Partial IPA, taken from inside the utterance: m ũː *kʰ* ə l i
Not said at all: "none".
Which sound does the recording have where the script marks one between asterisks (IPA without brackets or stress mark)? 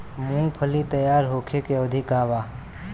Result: pʰ